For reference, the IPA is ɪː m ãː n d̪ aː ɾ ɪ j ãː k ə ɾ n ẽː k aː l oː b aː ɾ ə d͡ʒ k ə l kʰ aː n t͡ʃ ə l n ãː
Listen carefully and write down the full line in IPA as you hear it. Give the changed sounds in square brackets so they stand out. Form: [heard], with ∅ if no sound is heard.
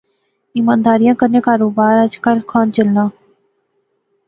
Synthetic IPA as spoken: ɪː m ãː n d̪ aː ɾ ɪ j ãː k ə ɾ n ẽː k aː [ɾ] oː b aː ɾ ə d͡ʒ k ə l kʰ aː n t͡ʃ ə l n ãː